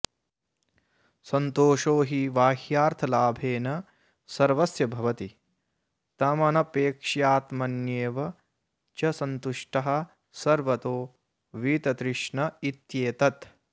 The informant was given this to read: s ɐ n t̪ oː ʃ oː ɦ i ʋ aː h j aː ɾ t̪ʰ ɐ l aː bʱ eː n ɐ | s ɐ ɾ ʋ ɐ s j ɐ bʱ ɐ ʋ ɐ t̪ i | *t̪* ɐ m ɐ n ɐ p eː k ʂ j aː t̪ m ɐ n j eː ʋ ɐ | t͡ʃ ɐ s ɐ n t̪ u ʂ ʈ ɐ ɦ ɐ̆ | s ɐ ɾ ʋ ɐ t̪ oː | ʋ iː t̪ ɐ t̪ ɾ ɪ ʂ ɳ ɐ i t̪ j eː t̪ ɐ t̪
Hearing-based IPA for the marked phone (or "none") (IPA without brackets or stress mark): t̪